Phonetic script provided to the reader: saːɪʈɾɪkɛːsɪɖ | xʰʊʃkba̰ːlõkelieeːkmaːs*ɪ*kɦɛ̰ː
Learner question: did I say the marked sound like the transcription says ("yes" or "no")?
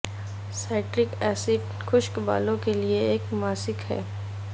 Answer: yes